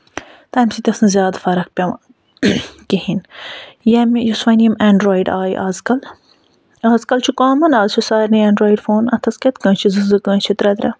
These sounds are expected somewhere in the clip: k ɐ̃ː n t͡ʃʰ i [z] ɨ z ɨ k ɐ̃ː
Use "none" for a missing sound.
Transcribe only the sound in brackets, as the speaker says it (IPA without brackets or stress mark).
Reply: z